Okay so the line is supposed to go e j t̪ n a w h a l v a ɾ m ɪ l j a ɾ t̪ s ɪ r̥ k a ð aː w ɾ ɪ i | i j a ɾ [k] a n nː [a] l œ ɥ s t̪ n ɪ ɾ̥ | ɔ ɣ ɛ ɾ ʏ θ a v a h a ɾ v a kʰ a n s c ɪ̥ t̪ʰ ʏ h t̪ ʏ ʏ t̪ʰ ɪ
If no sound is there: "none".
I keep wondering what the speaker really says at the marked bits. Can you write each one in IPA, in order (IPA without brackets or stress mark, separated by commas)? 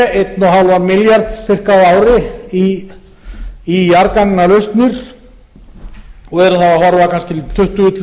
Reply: k, a